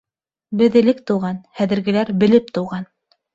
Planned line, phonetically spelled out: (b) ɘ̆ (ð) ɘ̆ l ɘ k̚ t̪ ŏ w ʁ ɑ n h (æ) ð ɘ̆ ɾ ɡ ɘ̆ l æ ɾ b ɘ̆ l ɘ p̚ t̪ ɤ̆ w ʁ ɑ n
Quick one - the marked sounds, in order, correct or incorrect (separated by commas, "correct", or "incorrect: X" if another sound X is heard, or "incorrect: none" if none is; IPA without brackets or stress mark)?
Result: correct, correct, correct